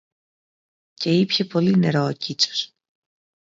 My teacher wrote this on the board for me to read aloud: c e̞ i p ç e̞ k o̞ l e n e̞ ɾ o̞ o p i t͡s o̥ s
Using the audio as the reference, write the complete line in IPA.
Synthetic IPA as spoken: c e̞ i p ç e̞ p o̞ l i n e̞ ɾ o̞ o c i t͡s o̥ s